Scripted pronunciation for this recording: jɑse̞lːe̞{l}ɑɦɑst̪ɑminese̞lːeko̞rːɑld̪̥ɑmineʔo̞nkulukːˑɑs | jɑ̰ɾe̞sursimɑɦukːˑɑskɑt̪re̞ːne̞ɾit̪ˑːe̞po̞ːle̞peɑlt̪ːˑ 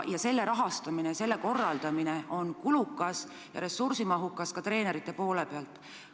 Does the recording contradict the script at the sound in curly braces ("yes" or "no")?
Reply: yes